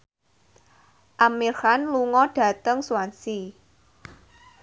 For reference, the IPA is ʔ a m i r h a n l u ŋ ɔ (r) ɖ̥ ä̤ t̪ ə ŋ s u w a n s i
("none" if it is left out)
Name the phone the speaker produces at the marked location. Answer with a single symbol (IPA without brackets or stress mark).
none